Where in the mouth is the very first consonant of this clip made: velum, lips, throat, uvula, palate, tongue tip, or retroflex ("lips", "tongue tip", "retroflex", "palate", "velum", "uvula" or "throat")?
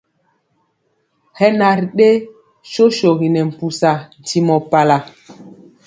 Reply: throat